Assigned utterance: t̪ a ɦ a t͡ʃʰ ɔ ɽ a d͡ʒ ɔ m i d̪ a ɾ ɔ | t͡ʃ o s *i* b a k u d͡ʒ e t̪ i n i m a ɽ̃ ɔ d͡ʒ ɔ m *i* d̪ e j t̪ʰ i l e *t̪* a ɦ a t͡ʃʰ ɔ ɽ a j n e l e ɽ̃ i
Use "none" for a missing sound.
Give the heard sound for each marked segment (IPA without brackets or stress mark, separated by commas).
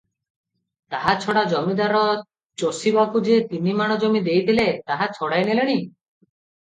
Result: i, i, t̪